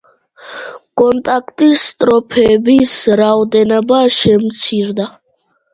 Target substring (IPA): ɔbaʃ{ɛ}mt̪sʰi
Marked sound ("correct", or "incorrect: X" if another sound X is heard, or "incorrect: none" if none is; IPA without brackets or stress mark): correct